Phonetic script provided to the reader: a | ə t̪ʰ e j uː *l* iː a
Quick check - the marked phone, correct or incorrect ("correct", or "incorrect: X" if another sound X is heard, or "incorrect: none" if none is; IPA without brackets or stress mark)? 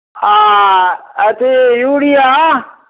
incorrect: ɽ